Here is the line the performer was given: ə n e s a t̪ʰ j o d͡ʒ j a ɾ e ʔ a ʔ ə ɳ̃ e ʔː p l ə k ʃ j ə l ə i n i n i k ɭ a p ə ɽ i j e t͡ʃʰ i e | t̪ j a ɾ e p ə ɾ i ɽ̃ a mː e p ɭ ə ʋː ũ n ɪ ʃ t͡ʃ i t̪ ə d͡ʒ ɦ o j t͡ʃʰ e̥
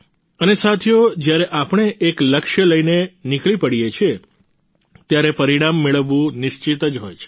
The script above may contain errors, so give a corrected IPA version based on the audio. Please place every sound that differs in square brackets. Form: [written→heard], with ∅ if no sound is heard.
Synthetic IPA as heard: ə n e s a t̪ʰ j o d͡ʒ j a ɾ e ʔ a [ʔ→p] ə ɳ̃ e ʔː [p→k] l ə k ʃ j ə l ə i n [i→e] n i k ɭ [a→i] p ə ɽ i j e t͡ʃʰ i e | t̪ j a ɾ e p ə ɾ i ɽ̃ a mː e [p→∅] ɭ ə ʋː ũ n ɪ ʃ t͡ʃ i t̪ ə d͡ʒ ɦ o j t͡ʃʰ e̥